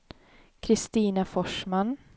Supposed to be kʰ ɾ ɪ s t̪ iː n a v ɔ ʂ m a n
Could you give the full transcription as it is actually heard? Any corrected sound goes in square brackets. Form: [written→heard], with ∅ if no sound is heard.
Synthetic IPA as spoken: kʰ ɾ ɪ s t̪ iː n a [v→f] ɔ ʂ m a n